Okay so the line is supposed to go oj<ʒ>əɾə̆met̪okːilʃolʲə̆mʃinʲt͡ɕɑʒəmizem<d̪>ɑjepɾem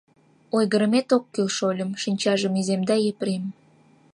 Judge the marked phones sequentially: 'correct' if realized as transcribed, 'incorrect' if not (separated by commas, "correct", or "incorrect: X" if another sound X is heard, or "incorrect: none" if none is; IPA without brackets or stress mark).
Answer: incorrect: ɣ, correct